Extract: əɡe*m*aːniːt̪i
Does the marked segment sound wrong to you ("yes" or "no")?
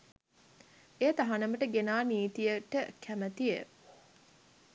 yes